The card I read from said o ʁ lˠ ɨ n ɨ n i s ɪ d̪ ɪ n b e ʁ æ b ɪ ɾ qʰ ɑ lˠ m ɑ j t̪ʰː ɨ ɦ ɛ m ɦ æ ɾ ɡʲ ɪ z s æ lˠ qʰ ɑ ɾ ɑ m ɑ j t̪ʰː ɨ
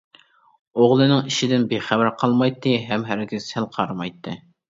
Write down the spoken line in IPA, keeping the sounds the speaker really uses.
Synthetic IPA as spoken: o ʁ lˠ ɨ n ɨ ŋ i ʃ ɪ d̪ ɪ n b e χ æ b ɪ ɾ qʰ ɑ lˠ m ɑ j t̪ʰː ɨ ɦ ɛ m ɦ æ ɾ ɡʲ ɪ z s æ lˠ qʰ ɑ ɾ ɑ m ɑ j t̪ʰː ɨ

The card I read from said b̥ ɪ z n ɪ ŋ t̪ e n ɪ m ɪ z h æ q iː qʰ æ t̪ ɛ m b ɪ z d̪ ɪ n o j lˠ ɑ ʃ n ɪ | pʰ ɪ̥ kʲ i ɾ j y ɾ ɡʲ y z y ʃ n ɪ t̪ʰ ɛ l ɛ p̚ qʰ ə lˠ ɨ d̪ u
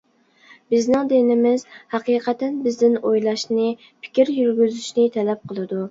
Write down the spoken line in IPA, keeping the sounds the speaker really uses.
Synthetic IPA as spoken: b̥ ɪ z n ɪ ŋ d̪ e n ɪ m ɪ z h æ q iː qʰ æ t̪ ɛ n b ɪ z d̪ ɪ n o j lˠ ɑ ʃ n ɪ | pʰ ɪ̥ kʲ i ɾ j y ɾ ɡʲ y z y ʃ n ɪ t̪ʰ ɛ l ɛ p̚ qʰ ə lˠ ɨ d̪ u

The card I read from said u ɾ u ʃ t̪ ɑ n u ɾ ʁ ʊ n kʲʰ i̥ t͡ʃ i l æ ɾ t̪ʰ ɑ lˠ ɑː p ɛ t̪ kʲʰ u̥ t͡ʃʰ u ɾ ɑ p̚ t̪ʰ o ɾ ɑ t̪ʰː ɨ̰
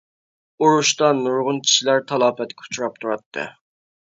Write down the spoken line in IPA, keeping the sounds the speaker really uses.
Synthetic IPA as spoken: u ɾ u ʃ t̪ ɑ n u ɾ ʁ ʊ n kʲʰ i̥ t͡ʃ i l æ ɾ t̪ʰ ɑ lˠ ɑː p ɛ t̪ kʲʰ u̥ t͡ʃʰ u ɾ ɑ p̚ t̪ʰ u ɾ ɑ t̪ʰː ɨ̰

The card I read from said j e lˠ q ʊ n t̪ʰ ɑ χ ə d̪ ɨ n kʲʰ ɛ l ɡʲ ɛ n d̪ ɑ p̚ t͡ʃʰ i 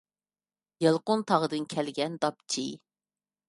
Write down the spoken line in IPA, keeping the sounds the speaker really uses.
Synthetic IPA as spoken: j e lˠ q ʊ n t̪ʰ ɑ ʁ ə d̪ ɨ n kʲʰ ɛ l ɡʲ ɛ n d̪ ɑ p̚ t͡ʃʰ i

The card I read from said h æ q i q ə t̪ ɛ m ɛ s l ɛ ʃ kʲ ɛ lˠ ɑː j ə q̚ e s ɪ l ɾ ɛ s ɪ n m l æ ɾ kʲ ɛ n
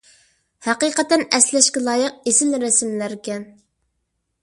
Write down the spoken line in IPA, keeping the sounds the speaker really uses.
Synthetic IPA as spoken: h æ q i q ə t̪ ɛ n ɛ s l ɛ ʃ kʲ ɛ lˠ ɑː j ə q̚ e s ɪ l ɾ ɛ s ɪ m l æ ɾ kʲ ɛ n

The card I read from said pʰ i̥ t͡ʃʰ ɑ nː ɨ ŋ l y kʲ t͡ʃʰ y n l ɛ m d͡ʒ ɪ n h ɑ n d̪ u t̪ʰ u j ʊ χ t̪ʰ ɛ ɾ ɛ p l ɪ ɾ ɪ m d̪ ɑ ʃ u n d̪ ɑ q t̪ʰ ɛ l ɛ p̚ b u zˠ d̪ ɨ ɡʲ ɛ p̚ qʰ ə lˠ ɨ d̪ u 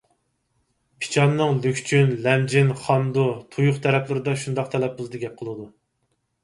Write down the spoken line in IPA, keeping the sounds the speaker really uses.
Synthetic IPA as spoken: pʰ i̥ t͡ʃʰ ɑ nː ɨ ŋ l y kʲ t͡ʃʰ y n l ɛ m d͡ʒ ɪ n χ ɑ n d̪ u t̪ʰ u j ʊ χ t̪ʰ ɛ ɾ ɛ p l ɪ ɾ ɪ d̪ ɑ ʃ u n d̪ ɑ q t̪ʰ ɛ l ɛ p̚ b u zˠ d̪ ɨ ɡʲ ɛ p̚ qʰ ə lˠ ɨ d̪ u

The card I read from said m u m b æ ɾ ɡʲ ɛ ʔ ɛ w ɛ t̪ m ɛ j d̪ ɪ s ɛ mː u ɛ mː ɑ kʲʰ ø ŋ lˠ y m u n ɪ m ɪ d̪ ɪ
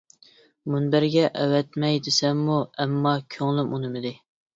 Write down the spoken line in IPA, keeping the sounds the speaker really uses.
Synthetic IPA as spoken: m u n b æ ɾ ɡʲ ɛ ʔ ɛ w ɛ t̪ m ɛ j d̪ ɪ s ɛ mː u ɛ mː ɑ kʲʰ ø ŋ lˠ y m u n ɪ m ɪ d̪ ɪ

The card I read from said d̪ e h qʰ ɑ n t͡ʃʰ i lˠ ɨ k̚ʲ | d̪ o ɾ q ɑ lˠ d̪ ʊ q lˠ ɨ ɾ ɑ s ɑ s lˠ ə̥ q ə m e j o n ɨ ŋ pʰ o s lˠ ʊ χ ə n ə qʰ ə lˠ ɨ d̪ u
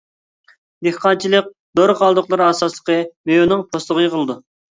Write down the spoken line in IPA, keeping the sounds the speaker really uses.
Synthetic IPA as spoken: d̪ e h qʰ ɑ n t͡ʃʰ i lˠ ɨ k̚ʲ | d̪ o ɾ q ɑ lˠ d̪ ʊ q lˠ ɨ ɾ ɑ s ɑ s lˠ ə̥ q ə m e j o n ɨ ŋ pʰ o s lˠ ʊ ʁ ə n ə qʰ ə lˠ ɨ d̪ u

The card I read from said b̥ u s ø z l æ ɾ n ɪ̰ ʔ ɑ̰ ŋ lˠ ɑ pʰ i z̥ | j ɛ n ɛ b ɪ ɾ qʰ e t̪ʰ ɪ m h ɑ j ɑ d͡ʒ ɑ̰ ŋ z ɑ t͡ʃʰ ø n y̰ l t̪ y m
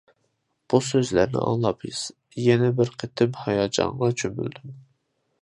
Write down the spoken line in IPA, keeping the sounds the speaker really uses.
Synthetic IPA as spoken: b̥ u s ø z l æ ɾ n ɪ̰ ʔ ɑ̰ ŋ lˠ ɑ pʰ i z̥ | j ɛ n ɛ b ɪ ɾ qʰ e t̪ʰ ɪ m h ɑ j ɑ d͡ʒ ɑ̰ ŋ ʁ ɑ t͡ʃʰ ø m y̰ l d̪ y m

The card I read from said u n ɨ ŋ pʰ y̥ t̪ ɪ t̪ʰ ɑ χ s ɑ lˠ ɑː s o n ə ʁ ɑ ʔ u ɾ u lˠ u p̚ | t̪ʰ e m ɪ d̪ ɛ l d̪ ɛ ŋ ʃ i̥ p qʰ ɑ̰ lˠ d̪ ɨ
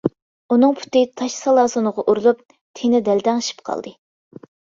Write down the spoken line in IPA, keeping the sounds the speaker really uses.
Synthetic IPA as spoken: u n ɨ ŋ pʰ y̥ t̪ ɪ t̪ʰ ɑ ʃ s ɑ lˠ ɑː s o n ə ʁ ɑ ʔ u ɾ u lˠ u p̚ | t̪ʰ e n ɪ d̪ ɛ l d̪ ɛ ŋ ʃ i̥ p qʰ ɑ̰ lˠ d̪ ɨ

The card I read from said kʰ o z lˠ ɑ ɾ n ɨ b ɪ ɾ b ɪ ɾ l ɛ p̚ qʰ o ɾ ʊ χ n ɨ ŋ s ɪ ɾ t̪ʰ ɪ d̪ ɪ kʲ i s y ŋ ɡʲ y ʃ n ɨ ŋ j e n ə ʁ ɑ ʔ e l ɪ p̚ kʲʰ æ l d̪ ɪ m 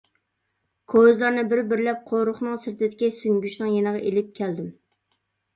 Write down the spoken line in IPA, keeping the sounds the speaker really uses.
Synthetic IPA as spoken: kʰ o z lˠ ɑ ɾ n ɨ b ɪ ɾ b ɪ ɾ l ɛ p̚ qʰ o ɾ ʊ χ n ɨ ŋ s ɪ ɾ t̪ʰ ɪ d̪ ɪ kʲ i s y ŋ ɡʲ y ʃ n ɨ ŋ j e n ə ʁ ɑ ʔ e l ɪ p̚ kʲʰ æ l d̪ ɪ m

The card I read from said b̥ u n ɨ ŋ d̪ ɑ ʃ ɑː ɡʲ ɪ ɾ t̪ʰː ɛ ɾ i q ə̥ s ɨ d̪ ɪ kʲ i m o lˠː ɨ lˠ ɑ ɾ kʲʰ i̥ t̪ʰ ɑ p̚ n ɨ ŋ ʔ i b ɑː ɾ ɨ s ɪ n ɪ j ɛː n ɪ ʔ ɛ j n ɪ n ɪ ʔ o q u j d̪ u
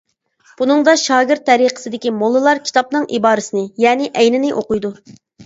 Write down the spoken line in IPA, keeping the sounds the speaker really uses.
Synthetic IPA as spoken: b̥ u n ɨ ŋ d̪ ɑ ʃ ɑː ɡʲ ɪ ɾ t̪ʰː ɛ ɾ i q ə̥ s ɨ d̪ ɪ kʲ i m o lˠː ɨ lˠ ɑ ɾ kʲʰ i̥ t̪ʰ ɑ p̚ n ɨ ŋ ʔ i b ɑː ɾ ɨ s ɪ n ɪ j ɛː n ɪ ʔ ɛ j n ɪ n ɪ ʔ o q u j d̪ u

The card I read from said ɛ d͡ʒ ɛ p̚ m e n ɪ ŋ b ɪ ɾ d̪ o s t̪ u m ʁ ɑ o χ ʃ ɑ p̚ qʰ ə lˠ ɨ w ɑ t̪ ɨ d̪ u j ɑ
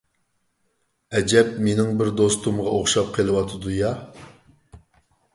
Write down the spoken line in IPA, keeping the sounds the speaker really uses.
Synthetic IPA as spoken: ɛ d͡ʒ ɛ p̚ m e n ɪ ŋ b ɪ ɾ d̪ o s t̪ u m ʁ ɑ o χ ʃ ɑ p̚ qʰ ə lˠ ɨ w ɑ t̪ʰ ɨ d̪ u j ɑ

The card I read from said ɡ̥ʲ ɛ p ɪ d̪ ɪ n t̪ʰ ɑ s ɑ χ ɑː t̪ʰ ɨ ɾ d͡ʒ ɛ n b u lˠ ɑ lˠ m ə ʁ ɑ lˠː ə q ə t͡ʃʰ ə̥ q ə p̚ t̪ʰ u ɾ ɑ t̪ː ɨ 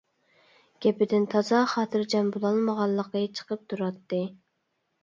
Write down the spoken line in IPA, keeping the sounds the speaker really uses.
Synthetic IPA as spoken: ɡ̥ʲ ɛ p ɪ d̪ ɪ n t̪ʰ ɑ z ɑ χ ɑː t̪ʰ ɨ ɾ d͡ʒ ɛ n b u lˠ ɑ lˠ m ə ʁ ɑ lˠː ə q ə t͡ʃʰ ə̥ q ə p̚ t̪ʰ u ɾ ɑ t̪ː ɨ

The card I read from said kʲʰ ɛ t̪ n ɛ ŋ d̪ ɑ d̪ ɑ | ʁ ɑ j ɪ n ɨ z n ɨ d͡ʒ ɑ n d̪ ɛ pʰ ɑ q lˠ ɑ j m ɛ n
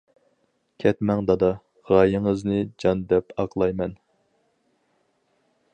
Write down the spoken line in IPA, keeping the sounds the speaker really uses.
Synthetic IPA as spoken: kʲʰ ɛ t̪ m ɛ ŋ d̪ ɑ d̪ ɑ | ʁ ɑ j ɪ ŋ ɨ z n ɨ d͡ʒ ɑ n d̪ ɛ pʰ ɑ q lˠ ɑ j m ɛ n

